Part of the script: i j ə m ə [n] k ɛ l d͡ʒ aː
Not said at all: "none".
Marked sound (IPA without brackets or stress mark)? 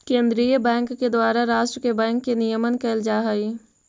n